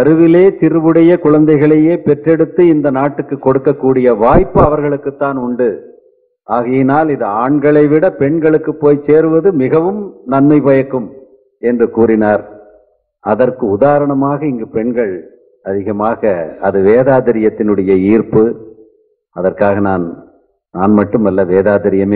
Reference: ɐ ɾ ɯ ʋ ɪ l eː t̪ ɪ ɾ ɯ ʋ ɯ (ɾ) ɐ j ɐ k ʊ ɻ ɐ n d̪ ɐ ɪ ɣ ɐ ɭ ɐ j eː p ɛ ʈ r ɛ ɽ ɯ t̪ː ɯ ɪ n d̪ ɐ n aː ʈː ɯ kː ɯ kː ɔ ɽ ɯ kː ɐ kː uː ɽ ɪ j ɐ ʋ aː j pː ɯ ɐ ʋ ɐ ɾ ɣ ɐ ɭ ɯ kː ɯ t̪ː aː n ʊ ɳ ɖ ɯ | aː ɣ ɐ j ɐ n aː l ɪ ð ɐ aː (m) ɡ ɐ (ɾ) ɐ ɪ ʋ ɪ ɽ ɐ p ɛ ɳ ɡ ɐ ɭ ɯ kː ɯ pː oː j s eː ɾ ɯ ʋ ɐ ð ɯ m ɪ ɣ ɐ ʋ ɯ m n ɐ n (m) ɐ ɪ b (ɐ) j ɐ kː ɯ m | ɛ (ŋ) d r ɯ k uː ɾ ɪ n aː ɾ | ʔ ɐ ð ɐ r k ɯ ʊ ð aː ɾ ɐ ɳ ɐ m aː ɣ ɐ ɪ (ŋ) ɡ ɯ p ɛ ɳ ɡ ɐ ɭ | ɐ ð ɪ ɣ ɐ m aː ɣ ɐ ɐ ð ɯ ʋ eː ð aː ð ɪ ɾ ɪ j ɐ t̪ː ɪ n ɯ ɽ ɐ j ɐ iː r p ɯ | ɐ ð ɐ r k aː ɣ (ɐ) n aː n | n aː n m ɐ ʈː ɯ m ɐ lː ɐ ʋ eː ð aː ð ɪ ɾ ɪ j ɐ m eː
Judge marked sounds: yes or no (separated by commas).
no, no, no, yes, yes, no, yes, yes